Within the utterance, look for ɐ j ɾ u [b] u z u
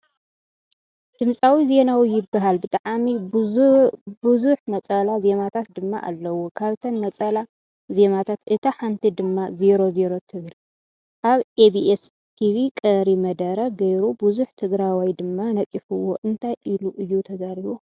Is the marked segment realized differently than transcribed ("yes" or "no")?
no